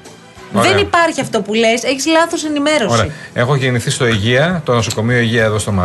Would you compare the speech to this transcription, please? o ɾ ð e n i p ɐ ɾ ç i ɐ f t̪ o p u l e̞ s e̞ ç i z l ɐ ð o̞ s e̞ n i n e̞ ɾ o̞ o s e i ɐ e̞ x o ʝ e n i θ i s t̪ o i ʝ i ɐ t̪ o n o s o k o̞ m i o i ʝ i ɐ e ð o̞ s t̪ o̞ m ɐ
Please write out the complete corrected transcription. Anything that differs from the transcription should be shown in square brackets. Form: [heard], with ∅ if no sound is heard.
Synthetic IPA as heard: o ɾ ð e n i p ɐ ɾ ç i ɐ f t̪ o p u l e̞ s e̞ ç i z l ɐ [θ] o̞ s e̞ n i [m] e̞ ɾ o̞ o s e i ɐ e̞ x o ʝ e n i θ i s t̪ o i ʝ i ɐ t̪ o n o s o k o̞ m i o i ʝ i ɐ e ð o̞ s t̪ o̞ m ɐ